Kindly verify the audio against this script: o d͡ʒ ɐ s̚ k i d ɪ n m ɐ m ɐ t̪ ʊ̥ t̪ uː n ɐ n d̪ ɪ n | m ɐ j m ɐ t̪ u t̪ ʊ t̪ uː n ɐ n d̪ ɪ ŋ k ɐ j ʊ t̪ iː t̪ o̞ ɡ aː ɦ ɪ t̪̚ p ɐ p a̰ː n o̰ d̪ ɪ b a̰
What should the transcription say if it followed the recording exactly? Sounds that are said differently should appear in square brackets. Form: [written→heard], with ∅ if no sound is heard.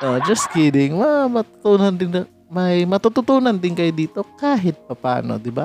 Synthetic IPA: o d͡ʒ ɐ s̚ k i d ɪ [n→ŋ] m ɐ m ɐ t̪ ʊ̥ t̪ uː n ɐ n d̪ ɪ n | m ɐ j m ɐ t̪ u t̪ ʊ t̪ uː n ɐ n d̪ ɪ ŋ k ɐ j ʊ [t̪→d̪] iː t̪ o̞ [ɡ→k] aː ɦ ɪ t̪̚ p ɐ p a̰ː n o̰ d̪ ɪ b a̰